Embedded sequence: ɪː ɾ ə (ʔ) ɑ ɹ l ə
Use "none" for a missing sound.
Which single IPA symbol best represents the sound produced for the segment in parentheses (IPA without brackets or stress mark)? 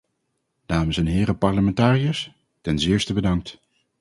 p